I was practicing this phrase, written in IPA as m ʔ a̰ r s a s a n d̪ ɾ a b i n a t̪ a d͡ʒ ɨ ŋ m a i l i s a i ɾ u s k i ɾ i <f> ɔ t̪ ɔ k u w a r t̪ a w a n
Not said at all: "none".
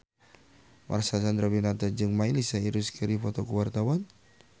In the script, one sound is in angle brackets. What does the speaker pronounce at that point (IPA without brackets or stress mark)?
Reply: f